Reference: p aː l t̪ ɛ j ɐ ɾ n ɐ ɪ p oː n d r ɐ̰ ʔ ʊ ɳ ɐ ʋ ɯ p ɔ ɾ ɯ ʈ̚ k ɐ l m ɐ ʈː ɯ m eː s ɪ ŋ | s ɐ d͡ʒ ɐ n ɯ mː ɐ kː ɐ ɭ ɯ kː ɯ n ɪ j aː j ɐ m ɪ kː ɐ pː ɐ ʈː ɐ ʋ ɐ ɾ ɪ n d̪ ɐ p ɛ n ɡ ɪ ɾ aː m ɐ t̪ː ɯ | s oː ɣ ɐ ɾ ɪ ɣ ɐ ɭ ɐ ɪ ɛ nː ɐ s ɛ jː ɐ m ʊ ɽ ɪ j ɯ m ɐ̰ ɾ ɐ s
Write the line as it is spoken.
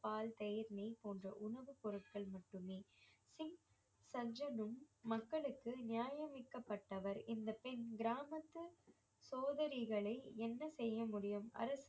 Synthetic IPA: p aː l t̪ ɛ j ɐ ɾ n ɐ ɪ p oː n d r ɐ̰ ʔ ʊ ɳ ɐ ʋ ɯ p ɔ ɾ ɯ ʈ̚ k ɐ ɭ m ɐ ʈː ɯ m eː s ɪ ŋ | s ɐ d͡ʒ ɐ n ɯ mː ɐ kː ɐ ɭ ɯ kː ɯ n ɪ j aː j ɐ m ɪ kː ɐ pː ɐ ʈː ɐ ʋ ɐ ɾ ɪ n d̪ ɐ p ɛ n ɡ ɪ ɾ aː m ɐ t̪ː ɯ | s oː ð ɐ ɾ ɪ ɣ ɐ ɭ ɐ ɪ ɛ nː ɐ s ɛ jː ɐ m ʊ ɽ ɪ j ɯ m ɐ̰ ɾ ɐ s